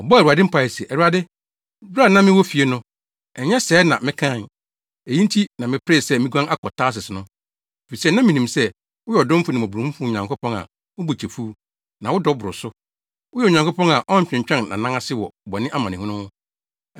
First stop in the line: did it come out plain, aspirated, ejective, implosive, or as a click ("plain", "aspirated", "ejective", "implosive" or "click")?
plain